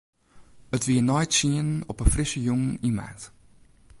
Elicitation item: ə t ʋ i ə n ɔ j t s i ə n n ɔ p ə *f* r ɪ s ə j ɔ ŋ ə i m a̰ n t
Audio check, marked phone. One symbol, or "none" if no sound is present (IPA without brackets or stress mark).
f